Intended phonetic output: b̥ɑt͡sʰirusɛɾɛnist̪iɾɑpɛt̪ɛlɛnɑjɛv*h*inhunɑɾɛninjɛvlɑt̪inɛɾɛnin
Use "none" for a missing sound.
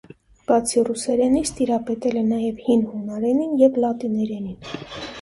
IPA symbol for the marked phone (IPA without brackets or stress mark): h